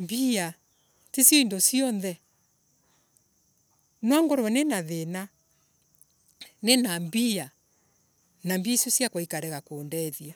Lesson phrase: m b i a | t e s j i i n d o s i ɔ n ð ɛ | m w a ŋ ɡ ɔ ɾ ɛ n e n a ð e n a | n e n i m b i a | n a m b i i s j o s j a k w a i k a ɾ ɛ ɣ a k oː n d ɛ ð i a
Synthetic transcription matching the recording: m b i a | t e s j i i n d o s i ɔ n ð ɛ | n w a ŋ ɡ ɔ ɾ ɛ n e n a ð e n a | n e n a m b i a | n a m b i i s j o s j a k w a i k a ɾ ɛ ɣ a k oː n d ɛ ð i a